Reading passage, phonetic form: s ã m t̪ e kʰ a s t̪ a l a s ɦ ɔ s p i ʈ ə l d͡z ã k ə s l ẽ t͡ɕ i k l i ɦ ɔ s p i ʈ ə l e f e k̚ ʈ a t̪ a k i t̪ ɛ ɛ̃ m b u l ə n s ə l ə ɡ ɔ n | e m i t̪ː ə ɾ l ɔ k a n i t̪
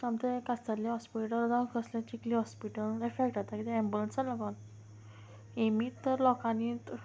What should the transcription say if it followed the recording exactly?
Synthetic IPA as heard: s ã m t̪ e k a s t̪ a l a ɦ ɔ s p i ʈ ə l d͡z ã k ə s l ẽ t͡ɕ i k l i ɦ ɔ s p i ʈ ə l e f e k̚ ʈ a t̪ a k i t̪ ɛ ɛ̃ m b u l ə n s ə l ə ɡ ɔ n | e m i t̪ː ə ɾ l ɔ k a n i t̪